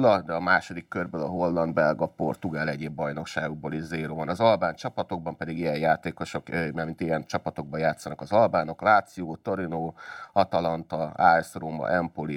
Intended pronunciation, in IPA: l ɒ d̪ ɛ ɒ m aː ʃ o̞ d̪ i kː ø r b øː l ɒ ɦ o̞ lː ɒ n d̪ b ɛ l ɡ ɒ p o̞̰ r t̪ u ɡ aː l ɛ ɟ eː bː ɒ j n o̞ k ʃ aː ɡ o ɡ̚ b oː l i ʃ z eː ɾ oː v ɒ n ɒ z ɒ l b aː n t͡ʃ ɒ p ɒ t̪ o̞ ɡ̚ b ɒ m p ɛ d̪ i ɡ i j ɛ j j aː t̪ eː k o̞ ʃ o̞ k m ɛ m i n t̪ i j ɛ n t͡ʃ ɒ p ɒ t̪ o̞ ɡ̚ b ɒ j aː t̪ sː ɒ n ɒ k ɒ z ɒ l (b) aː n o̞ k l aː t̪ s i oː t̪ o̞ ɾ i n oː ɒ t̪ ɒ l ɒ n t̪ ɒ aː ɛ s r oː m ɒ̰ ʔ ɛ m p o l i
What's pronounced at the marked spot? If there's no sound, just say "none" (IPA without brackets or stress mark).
b